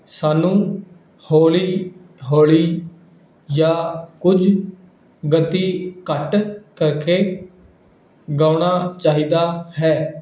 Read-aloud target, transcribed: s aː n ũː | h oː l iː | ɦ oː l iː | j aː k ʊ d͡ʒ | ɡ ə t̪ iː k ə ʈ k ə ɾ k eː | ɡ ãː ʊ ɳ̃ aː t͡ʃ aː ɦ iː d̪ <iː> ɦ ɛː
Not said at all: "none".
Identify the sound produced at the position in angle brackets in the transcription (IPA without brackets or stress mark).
aː